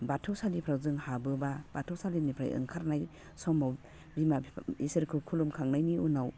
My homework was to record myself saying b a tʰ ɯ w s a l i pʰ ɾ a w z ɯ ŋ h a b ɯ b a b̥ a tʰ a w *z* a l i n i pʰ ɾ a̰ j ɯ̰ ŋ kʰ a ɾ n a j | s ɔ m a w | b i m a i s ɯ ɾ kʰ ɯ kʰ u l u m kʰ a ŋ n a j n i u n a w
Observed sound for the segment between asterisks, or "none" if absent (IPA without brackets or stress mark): s